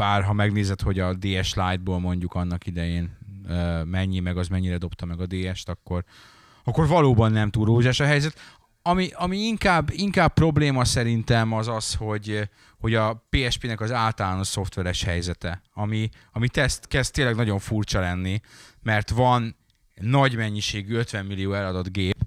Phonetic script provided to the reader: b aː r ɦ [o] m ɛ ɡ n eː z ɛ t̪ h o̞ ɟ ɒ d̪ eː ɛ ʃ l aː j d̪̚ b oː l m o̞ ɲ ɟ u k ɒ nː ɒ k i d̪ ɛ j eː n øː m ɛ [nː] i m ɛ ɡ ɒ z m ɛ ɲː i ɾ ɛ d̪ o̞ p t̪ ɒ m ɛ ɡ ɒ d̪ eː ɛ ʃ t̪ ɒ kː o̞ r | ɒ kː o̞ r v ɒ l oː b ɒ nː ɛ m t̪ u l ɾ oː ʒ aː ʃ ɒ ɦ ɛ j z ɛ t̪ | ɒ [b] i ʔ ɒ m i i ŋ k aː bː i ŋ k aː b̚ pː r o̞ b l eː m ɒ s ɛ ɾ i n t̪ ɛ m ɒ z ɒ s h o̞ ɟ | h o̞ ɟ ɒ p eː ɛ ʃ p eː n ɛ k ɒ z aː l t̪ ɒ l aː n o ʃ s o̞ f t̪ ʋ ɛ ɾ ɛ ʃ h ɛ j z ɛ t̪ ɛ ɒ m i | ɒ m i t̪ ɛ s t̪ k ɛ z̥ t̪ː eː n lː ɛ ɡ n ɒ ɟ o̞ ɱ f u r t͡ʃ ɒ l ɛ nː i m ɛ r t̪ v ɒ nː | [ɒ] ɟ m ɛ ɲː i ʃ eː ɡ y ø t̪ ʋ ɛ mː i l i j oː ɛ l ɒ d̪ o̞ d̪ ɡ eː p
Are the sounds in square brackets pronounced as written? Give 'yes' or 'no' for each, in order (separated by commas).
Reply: no, no, no, yes